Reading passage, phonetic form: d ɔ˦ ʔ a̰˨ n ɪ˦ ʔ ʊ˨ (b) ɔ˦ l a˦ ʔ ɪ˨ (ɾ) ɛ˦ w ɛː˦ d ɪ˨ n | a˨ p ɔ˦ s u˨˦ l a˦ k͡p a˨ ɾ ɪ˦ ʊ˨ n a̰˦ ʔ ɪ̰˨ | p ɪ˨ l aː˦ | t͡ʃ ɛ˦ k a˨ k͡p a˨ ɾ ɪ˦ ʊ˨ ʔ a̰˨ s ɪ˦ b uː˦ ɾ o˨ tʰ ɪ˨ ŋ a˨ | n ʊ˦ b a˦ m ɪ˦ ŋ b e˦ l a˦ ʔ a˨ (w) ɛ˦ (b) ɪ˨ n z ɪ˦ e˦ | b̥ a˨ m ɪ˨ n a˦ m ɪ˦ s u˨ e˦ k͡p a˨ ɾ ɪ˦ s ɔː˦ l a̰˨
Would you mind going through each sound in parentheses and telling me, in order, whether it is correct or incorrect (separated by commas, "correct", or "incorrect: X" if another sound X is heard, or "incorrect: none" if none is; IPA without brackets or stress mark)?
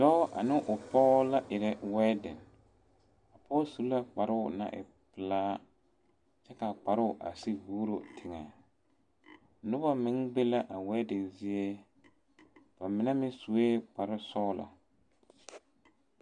incorrect: p, correct, correct, incorrect: d